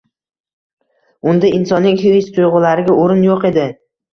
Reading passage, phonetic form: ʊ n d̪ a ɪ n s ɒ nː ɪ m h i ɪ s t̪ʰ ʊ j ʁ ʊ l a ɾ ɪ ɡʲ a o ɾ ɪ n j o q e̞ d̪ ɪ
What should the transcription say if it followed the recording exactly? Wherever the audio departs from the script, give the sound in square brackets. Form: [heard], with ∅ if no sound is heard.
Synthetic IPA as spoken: ʊ n d̪ a ɪ n s ɒ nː ɪ [ŋ] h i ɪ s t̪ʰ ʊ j ʁ ʊ l a ɾ ɪ ɡʲ a o ɾ ɪ n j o q e̞ d̪ ɪ